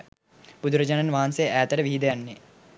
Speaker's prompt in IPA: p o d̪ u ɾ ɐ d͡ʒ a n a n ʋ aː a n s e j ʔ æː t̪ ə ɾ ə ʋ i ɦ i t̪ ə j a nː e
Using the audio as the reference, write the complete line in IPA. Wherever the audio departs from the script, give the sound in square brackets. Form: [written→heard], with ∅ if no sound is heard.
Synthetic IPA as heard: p [o→u] d̪ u ɾ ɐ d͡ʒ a n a n ʋ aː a n s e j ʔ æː t̪ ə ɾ ə ʋ i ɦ i [t̪→d̪] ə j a nː e